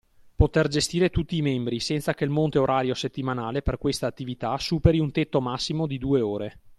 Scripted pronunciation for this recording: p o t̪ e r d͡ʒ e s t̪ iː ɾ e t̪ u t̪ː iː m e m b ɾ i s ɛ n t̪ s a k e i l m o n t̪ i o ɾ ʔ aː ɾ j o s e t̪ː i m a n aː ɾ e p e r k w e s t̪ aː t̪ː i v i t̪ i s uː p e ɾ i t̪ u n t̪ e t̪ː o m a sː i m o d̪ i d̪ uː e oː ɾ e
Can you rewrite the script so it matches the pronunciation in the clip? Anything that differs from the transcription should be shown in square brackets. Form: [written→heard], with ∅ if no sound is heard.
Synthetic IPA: p o t̪ e r d͡ʒ e s t̪ iː ɾ e t̪ u t̪ː iː m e m b ɾ i s ɛ n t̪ s a k e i l m o n t̪ [i→e] o ɾ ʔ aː ɾ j o s e t̪ː i m a n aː [ɾ→l] e p e r k w e s t̪ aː t̪ː i v i t̪ [i→a] s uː p e ɾ i [t̪→∅] u n t̪ e t̪ː o m a sː i m o d̪ i d̪ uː e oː ɾ e